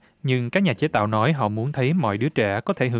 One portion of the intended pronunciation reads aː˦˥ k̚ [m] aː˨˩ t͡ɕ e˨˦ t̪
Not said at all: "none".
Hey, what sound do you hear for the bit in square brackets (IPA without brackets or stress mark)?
ɲ